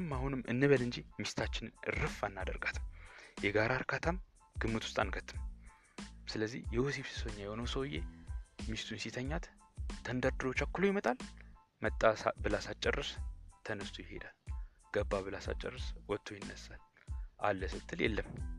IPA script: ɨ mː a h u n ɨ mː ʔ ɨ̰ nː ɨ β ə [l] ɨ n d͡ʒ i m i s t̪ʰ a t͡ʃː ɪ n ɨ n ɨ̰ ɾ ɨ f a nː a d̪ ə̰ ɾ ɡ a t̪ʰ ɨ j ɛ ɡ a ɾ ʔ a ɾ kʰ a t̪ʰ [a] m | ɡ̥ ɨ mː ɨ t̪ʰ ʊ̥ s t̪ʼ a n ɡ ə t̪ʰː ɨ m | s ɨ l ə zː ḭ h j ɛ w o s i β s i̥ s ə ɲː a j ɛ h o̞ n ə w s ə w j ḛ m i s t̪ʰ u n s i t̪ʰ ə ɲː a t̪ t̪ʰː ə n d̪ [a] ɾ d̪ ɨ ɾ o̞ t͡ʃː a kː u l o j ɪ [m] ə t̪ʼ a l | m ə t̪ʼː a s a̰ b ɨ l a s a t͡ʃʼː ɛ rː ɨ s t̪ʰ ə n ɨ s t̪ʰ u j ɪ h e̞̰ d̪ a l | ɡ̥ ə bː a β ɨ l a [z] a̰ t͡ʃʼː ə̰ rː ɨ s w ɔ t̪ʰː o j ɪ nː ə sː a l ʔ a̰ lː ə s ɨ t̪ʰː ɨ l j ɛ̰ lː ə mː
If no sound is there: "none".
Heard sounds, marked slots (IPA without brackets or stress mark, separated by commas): l, a, ə, m, s